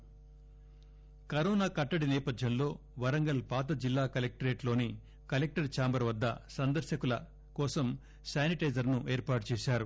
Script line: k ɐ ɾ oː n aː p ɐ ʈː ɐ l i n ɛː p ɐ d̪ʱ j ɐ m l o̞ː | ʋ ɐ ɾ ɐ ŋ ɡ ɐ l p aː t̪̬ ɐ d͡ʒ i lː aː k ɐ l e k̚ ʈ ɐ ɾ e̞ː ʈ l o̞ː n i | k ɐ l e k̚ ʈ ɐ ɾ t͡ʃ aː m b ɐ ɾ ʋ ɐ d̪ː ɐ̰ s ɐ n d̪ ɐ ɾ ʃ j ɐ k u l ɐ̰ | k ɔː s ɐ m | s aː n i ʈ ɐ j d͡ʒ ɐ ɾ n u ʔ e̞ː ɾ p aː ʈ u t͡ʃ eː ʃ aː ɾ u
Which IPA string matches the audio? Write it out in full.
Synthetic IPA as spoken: k ɐ ɾ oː n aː k ɐ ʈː ɐ ɽ i n ɛː p ɐ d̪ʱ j ɐ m l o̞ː | ʋ ɐ ɾ ɐ ŋ ɡ ɐ l p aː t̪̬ ɐ d͡ʒ i lː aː k ɐ l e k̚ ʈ ɐ ɾ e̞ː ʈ l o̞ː n i | k ɐ l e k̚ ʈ ɐ ɾ t͡ʃ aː m b ɐ ɾ ʋ ɐ d̪ː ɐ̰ s ɐ n d̪ ɐ ɾ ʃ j ɐ k u l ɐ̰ | k ɔː s ɐ m | s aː n i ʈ ɐ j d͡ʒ ɐ ɾ n u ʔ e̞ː ɾ p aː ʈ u t͡ʃ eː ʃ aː ɾ u